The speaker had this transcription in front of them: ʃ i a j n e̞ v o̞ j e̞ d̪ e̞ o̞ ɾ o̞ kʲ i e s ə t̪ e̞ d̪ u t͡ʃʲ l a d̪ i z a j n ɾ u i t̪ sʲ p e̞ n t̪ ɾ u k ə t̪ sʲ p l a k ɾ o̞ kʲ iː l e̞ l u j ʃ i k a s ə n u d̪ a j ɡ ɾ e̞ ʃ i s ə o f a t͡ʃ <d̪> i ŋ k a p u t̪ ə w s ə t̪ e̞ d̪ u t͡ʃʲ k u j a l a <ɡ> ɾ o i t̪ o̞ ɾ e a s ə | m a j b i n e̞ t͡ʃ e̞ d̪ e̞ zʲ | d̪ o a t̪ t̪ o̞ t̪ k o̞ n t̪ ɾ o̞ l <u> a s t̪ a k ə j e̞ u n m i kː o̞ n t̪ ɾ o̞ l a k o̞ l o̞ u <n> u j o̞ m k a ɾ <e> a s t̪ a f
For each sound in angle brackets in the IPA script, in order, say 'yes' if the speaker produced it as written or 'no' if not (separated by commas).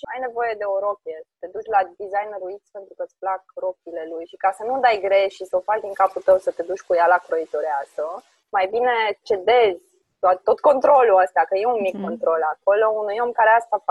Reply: yes, no, yes, yes, yes